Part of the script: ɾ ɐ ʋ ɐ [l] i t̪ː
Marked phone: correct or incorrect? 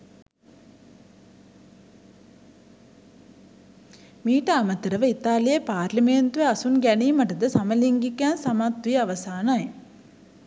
incorrect